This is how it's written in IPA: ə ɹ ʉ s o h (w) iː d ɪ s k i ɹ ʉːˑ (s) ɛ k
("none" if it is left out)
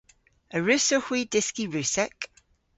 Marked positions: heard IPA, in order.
w, s

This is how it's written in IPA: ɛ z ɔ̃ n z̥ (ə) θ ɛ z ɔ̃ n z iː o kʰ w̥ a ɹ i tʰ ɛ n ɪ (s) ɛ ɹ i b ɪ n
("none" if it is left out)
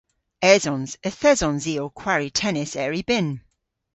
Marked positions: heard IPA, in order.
ə, s

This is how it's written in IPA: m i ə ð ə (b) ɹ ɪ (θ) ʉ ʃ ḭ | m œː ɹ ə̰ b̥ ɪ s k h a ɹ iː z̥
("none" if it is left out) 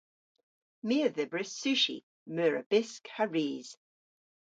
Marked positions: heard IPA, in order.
b, s

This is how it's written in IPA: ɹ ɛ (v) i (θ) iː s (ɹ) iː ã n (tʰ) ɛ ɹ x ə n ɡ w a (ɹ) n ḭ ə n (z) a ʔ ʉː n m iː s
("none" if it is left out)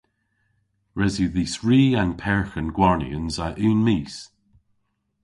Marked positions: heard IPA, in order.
z, ð, ɹ, pʰ, ɹ, z

